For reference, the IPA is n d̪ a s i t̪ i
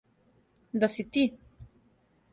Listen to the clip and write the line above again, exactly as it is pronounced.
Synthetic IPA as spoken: n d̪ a s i t̪ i